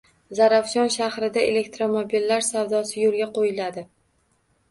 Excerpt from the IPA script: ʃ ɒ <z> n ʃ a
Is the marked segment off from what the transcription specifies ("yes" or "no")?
yes